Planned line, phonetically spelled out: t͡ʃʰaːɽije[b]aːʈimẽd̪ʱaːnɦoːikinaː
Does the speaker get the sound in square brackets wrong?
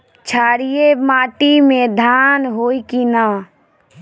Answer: yes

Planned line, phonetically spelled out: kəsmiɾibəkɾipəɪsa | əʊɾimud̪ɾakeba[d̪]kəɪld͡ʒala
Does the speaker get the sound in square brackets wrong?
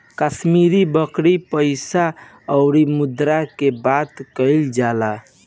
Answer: yes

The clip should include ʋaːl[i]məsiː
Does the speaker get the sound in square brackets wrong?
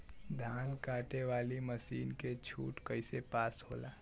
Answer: no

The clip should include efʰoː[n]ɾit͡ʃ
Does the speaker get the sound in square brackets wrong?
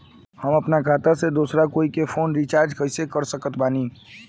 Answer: no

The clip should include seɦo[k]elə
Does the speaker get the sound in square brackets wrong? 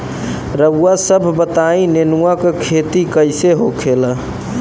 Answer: yes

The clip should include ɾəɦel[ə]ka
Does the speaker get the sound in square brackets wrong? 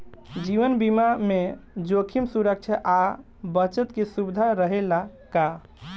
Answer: yes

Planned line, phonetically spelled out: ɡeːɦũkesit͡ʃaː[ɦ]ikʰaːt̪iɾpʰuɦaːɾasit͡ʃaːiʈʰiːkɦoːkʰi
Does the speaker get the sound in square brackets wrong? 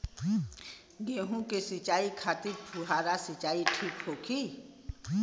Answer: yes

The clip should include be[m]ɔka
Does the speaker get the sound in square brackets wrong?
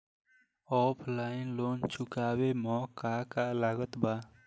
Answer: no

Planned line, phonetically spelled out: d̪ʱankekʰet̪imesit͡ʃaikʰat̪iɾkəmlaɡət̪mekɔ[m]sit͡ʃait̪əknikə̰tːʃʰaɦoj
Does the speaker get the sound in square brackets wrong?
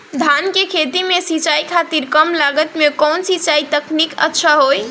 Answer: yes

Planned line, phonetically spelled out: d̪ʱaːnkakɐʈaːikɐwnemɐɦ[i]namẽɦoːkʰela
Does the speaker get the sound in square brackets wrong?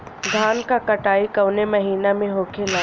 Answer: yes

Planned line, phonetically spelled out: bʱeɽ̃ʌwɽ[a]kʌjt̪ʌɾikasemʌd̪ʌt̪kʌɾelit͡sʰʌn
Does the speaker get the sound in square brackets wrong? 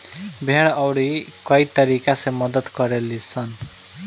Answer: yes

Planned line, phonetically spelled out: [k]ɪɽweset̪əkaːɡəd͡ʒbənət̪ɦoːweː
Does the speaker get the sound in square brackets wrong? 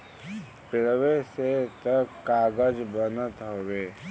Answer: yes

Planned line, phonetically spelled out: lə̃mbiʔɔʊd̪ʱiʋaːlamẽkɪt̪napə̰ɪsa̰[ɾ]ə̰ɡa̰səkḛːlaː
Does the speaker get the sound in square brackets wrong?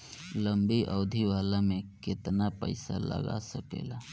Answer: yes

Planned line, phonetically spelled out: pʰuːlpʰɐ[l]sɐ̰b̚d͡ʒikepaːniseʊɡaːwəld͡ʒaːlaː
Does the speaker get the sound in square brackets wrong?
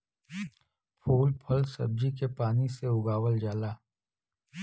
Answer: no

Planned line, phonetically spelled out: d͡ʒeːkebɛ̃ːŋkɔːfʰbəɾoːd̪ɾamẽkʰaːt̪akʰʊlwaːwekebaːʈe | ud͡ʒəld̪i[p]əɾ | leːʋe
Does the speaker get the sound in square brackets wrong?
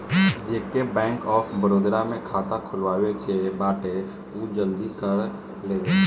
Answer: yes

